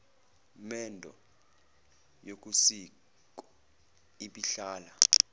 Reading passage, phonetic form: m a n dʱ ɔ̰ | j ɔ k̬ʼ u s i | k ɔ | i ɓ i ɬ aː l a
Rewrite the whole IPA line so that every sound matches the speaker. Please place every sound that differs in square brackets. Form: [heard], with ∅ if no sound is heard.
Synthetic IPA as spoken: m [ɛ] n dʱ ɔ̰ | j [o] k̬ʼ u s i | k ɔ | i ɓ i ɬ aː l a